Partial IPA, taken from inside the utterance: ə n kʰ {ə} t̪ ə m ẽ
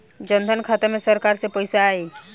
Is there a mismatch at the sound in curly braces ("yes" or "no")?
yes